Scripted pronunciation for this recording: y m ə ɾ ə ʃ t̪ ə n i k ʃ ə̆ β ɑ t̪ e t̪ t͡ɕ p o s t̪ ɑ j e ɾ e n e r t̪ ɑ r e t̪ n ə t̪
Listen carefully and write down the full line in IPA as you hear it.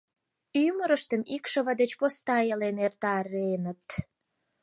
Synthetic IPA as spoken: y m ə ɾ ə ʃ t̪ ə m i k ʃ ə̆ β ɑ d̪ e t͡ɕ p o s t̪ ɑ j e l e n e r t̪ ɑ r e n ə t̪